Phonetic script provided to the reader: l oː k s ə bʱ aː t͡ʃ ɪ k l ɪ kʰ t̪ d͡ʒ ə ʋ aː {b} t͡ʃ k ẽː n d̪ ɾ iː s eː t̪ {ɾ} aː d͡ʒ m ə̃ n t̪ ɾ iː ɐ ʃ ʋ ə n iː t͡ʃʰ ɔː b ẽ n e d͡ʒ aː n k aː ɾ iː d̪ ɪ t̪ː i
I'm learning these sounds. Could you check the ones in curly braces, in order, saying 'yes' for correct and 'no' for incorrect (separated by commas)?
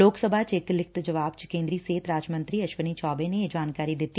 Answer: yes, yes